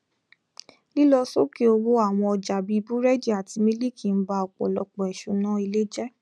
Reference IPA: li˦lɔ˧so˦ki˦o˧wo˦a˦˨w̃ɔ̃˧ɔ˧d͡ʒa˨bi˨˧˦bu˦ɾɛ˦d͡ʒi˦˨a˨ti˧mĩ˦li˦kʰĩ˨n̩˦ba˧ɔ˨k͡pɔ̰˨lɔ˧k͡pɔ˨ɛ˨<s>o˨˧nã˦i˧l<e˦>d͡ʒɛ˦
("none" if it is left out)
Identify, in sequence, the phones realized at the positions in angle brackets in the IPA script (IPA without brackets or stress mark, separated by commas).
ʃ, e˦